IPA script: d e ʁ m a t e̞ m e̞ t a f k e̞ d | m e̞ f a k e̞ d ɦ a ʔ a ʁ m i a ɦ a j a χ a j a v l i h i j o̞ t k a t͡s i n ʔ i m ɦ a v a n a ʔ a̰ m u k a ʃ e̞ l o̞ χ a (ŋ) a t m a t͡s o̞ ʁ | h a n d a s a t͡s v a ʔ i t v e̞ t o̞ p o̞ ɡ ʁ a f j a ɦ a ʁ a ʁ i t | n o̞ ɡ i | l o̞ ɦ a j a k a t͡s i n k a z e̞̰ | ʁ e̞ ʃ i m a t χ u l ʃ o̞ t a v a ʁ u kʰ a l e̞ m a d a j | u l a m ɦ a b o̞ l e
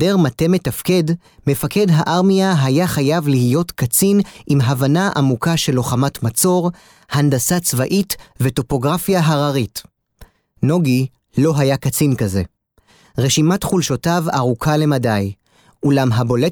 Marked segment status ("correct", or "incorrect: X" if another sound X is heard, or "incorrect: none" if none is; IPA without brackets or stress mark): incorrect: m